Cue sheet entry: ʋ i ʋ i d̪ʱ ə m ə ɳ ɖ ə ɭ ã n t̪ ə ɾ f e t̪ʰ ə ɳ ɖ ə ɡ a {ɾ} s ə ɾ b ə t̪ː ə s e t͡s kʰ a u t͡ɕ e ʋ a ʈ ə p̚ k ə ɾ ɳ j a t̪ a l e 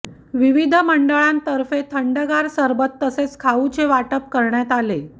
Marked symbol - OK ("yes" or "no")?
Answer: yes